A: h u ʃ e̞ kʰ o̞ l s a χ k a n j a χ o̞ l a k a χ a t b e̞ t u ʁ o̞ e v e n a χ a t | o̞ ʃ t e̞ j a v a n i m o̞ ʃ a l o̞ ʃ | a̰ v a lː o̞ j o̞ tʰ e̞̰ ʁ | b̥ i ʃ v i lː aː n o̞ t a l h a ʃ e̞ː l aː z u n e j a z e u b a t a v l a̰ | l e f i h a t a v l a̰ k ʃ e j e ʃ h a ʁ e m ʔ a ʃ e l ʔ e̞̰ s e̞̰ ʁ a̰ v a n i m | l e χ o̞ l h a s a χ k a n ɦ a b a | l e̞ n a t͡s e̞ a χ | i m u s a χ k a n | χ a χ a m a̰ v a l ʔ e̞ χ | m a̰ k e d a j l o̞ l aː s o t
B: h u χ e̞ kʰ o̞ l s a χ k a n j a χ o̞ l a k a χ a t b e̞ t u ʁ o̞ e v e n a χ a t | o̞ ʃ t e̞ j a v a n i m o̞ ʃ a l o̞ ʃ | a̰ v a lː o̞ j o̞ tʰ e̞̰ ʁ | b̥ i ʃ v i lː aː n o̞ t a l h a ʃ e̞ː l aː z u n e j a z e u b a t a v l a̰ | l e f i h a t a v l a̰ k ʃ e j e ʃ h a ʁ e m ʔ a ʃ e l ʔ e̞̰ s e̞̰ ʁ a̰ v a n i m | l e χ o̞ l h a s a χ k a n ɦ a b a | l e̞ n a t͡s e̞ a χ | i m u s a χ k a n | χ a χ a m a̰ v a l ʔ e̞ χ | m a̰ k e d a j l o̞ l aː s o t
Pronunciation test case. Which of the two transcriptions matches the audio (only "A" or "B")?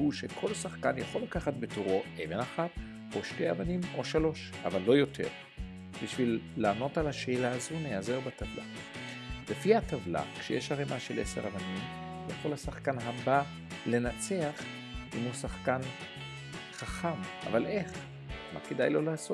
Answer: A